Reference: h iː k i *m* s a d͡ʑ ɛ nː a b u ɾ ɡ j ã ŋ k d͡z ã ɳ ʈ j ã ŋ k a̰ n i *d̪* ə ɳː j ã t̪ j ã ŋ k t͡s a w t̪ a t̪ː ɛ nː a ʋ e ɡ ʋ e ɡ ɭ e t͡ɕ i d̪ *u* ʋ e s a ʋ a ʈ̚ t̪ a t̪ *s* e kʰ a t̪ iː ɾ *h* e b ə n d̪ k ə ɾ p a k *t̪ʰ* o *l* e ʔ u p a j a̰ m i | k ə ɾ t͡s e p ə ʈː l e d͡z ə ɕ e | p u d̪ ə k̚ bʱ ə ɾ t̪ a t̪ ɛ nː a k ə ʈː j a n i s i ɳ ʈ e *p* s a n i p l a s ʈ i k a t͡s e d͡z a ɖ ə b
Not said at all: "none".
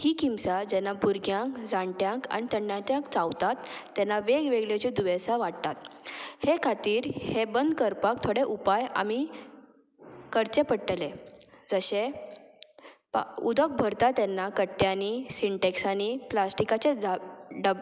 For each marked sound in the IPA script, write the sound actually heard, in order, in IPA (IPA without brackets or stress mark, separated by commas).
m, t̪, u, h, h, t̪ʰ, ɽ, k